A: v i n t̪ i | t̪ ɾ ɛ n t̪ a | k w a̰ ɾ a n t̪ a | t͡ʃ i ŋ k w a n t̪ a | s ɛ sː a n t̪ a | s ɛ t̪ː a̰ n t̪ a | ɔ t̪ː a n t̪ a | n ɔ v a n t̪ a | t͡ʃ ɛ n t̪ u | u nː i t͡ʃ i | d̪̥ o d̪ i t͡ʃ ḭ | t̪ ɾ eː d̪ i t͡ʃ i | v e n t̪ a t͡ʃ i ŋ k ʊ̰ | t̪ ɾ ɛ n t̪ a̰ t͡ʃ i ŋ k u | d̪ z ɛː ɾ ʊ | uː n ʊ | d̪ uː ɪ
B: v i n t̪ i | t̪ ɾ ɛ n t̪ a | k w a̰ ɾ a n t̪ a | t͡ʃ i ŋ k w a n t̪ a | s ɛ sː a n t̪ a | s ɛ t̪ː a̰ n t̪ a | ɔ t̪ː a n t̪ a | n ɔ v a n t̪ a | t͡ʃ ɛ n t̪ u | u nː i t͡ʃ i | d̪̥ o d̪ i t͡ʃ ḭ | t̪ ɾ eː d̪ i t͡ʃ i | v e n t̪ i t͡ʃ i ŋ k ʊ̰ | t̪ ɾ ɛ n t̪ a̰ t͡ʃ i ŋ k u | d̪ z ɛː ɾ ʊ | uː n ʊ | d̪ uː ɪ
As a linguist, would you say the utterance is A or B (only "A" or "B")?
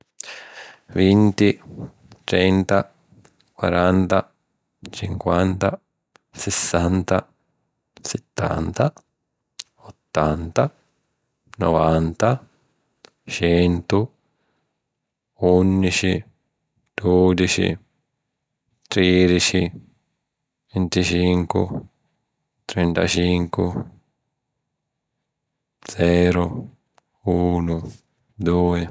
B